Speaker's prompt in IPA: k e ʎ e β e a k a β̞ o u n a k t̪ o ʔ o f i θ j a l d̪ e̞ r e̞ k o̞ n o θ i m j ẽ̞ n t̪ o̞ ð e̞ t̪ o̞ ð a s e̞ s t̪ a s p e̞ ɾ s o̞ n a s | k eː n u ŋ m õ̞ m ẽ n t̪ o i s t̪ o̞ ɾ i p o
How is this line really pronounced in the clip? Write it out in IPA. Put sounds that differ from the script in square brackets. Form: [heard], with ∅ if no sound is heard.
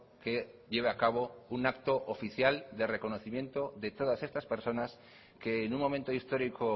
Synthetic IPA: k e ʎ e β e a k a β̞ o u n a k t̪ o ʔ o f i θ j a l d̪ e̞ r e̞ k o̞ n o θ i m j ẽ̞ n t̪ o̞ ð e̞ t̪ o̞ ð a s e̞ s t̪ a s p e̞ ɾ s o̞ n a s | k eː n u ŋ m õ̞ m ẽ n t̪ o i s t̪ o̞ ɾ i [k] o